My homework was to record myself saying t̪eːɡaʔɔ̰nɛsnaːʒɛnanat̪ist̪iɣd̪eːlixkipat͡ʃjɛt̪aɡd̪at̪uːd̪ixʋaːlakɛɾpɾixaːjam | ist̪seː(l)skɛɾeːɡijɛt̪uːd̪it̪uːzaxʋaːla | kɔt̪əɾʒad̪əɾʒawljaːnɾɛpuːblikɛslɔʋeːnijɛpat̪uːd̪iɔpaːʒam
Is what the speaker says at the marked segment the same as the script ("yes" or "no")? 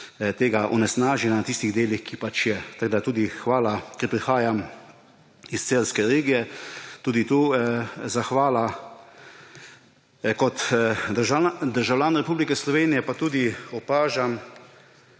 yes